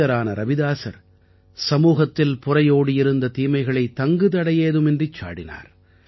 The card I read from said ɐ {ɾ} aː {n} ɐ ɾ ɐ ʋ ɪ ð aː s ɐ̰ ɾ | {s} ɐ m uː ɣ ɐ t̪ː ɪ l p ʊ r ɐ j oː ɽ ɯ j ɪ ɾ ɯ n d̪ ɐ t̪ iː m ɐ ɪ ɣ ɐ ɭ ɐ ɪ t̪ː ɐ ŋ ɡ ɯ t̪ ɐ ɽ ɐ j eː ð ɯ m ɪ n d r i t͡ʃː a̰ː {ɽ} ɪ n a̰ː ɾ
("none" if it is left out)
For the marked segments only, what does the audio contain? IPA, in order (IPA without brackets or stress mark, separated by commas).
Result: ɾ, n, s, ɽ